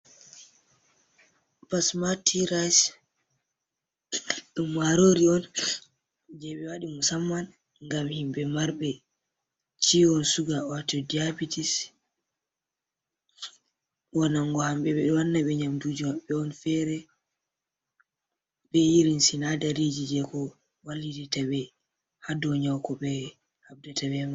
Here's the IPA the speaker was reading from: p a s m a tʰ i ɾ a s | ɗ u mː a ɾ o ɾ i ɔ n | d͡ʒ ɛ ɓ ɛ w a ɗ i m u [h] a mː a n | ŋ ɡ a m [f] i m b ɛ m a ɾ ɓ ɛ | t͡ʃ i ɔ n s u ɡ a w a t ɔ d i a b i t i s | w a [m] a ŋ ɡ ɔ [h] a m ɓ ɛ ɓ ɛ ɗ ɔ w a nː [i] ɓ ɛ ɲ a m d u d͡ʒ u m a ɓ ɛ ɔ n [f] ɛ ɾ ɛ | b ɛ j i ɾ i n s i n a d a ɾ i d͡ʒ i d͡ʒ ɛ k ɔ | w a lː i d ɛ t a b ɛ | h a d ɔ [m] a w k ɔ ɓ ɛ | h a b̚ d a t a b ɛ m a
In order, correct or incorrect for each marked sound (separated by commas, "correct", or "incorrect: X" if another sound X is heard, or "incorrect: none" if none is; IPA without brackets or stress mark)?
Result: incorrect: s, incorrect: h, incorrect: n, correct, incorrect: a, correct, incorrect: ɲ